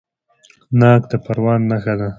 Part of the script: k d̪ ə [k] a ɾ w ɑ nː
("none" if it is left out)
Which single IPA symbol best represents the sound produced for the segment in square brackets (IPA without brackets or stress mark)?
p